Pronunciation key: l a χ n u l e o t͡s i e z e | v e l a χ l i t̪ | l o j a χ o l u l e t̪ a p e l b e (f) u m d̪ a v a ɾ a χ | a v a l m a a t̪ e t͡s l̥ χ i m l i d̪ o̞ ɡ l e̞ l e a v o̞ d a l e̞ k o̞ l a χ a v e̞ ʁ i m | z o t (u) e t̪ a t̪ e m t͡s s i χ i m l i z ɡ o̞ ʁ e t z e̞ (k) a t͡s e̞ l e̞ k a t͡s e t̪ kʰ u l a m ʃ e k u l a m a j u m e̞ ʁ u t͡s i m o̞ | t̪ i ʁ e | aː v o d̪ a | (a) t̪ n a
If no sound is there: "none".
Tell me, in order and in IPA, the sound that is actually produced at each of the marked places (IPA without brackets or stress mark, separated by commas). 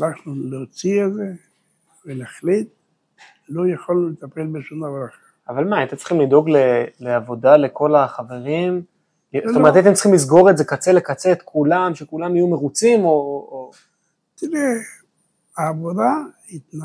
ʃ, o, k, i